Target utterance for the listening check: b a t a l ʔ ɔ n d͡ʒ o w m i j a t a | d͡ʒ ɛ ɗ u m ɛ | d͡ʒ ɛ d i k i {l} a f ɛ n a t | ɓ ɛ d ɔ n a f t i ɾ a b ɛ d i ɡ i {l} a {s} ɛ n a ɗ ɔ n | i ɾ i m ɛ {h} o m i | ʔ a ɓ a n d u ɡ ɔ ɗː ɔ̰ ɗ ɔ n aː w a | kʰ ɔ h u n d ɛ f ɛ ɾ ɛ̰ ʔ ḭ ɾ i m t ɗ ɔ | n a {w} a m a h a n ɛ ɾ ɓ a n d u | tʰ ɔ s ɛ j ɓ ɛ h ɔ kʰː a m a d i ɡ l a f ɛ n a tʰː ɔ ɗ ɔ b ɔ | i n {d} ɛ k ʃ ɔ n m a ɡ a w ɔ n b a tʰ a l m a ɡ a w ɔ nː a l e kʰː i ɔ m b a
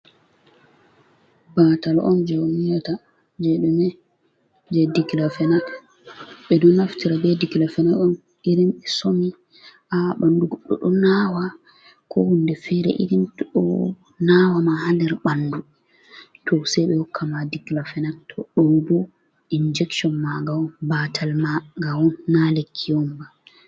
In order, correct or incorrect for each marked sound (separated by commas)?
correct, correct, incorrect, incorrect, correct, incorrect